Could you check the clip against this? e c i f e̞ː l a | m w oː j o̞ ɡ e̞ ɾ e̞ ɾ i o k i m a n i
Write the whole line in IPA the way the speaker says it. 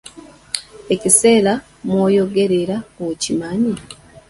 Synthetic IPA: e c i s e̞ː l a | m w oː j o̞ ɡ e̞ ɾ e̞ ɾ a o c i m a ɲ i